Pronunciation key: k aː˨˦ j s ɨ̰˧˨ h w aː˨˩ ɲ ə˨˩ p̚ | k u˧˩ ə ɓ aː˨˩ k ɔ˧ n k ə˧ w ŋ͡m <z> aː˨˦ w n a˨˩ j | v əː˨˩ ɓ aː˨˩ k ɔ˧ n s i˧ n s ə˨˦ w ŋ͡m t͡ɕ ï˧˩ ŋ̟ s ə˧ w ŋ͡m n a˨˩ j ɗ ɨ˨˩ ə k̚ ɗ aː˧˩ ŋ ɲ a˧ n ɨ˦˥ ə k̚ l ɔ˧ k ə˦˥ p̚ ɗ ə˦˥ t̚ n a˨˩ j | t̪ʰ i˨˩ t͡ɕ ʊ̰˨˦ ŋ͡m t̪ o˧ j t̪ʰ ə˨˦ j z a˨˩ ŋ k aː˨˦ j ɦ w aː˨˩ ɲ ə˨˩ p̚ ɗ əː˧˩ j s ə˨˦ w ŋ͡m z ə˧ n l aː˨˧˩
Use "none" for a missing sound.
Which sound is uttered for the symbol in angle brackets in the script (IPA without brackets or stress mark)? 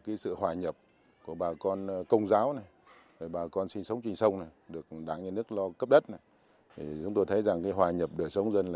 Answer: z